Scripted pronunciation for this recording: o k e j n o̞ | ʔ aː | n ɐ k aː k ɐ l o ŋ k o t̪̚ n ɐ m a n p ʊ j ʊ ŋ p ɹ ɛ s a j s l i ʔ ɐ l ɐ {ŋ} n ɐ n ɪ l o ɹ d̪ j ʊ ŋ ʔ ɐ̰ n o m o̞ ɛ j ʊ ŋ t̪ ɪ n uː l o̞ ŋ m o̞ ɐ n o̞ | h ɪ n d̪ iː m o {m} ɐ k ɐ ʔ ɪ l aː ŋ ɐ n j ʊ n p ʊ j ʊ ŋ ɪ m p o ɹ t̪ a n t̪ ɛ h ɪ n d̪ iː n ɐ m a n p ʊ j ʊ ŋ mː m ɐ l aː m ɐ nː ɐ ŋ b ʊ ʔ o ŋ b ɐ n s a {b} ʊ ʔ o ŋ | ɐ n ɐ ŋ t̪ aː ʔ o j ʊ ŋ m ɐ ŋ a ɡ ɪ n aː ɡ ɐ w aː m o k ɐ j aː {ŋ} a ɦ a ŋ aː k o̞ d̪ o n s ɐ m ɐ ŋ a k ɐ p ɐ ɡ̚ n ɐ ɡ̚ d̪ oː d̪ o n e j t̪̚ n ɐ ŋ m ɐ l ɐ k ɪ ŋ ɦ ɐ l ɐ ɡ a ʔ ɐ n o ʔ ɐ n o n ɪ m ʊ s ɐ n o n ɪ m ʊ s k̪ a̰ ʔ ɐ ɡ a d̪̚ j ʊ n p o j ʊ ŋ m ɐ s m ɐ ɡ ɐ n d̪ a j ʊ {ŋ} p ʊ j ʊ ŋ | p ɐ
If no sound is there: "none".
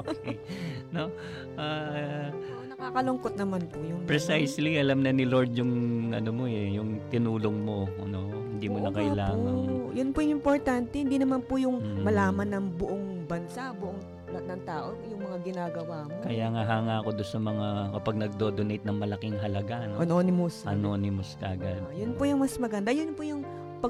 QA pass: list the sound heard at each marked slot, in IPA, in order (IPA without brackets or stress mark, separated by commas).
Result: m, n, b, ŋ, n